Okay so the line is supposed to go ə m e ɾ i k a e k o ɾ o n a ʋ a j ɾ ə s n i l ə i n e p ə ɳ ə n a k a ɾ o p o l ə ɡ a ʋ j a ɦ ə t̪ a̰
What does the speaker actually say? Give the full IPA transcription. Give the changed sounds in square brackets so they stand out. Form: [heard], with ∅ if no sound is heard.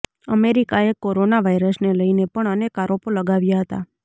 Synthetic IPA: ə m e ɾ i k a e k o ɾ o n a ʋ a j ɾ ə s n [e] l ə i n e p ə ɳ ə n [e] k a ɾ o p o l ə ɡ a ʋ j a ɦ ə t̪ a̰